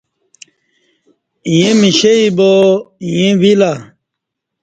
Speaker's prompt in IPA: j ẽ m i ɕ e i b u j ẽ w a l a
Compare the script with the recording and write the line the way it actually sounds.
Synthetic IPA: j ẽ m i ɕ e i b o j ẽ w i l a